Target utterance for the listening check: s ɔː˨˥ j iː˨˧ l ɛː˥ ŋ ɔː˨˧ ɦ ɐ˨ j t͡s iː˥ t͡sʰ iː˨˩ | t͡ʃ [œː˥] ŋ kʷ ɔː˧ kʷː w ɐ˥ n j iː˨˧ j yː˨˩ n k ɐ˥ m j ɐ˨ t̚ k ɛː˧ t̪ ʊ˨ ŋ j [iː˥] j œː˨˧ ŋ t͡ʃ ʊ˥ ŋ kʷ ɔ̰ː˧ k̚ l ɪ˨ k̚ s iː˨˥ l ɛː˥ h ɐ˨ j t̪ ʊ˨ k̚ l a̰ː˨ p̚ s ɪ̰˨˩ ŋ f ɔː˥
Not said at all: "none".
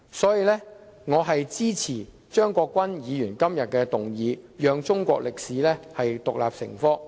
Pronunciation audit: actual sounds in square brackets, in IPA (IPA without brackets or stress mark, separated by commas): œː˥, iː˨˧